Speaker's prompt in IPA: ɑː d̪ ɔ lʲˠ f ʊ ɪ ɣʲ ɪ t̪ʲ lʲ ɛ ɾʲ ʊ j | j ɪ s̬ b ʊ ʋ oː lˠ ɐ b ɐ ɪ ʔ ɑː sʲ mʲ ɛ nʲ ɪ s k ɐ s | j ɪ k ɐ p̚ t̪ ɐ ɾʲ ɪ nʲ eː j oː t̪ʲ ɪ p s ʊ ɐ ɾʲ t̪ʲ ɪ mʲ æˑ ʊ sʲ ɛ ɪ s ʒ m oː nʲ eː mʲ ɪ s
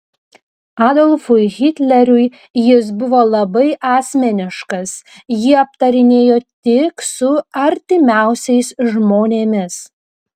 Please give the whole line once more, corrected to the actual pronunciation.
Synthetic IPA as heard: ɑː d̪ ɔ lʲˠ f ʊ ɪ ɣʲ ɪ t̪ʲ lʲ ɛ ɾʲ ʊ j | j ɪ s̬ b ʊ ʋ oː lˠ ɐ b ɐ ɪ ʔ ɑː sʲ mʲ ɛ nʲ ɪ ʃ k ɐ s | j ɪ ɐ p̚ t̪ ɐ ɾʲ ɪ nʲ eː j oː t̪ʲ ɪ k s ʊ ɐ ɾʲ t̪ʲ ɪ mʲ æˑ ʊ sʲ ɛ ɪ s ʒ m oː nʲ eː mʲ ɪ s